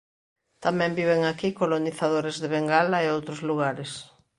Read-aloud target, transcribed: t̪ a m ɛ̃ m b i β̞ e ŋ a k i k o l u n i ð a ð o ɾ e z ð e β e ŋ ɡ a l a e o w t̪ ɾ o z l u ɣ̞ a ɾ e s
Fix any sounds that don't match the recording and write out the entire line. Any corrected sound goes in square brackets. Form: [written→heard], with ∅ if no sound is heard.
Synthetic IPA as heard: t̪ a m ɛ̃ m b i β̞ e ŋ a k i k o l [u→o] n i [ð→θ] a ð o ɾ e z ð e β e ŋ ɡ a l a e o w t̪ ɾ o z l u ɣ̞ a ɾ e s